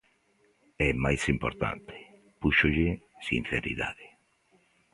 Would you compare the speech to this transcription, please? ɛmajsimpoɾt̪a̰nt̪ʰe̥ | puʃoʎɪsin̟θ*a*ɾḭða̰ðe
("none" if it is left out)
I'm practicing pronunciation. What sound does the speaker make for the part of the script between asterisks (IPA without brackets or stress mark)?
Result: e